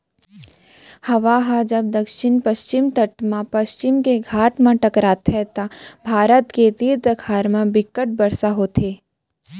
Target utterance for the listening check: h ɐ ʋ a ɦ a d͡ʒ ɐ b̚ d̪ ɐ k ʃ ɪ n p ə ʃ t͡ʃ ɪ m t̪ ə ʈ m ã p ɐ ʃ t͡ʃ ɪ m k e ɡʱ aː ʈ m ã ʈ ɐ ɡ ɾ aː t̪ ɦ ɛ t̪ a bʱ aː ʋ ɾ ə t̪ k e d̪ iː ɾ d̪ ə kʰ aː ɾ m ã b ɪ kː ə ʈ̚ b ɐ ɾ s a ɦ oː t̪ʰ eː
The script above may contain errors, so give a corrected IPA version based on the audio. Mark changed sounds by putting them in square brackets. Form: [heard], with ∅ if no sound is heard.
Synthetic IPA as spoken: h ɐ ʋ a ɦ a d͡ʒ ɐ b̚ d̪ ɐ k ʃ ɪ n p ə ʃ t͡ʃ ɪ m t̪ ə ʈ m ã p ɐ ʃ t͡ʃ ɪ m k e ɡʱ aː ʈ m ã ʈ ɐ [k] ɾ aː t̪ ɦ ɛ t̪ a bʱ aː [∅] ɾ ə t̪ k e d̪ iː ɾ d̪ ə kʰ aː ɾ m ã b ɪ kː ə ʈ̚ b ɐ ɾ s a ɦ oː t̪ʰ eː